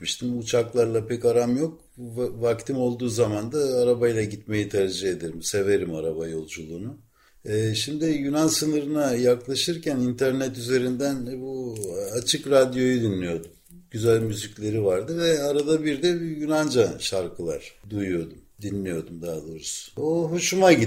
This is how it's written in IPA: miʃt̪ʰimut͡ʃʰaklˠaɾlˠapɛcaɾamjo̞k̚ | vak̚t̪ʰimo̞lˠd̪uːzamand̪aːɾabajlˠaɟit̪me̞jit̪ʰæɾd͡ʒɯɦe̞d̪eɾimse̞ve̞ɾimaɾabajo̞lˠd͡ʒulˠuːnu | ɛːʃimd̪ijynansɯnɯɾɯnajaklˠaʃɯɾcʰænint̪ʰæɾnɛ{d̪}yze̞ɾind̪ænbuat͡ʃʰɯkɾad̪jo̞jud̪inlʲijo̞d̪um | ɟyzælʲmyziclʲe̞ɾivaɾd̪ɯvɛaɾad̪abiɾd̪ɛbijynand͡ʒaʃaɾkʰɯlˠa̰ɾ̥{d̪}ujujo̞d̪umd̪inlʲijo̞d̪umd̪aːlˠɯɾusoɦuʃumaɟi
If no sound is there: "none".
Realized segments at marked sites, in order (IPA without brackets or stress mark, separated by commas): t̪, d̪